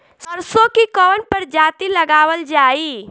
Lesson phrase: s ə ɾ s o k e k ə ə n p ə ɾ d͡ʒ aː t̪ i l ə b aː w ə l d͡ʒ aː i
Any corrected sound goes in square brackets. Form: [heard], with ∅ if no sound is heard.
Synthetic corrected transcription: s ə ɾ s o k [i] k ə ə n p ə ɾ d͡ʒ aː t̪ i l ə [ɡ] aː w ə l d͡ʒ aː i